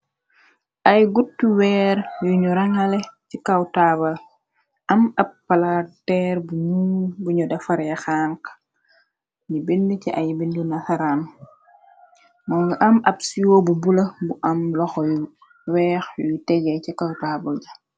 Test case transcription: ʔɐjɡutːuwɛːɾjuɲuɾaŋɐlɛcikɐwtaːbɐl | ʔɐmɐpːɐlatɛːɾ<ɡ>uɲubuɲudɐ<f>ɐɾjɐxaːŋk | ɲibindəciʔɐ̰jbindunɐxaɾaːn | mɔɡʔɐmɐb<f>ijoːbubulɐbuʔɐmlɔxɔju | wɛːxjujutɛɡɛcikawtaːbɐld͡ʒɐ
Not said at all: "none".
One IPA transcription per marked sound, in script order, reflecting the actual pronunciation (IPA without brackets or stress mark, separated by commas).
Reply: b, f, s